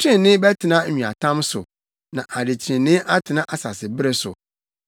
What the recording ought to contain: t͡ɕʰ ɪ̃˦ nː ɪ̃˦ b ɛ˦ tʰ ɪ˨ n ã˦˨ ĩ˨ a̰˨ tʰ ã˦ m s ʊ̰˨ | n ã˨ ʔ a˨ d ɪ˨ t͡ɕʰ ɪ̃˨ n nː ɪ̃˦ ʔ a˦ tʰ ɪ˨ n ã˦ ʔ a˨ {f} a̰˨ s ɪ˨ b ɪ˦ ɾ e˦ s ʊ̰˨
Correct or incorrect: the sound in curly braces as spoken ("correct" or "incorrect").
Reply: incorrect